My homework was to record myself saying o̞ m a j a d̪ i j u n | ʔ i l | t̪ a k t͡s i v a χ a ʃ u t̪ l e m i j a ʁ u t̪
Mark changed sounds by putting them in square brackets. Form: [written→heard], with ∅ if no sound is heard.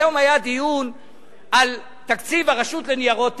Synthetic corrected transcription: o̞ m a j a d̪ i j u n | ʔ [i→a] l | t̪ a k t͡s i v a [χ→ʁ] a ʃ u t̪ l e [m→n] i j a ʁ [u→o] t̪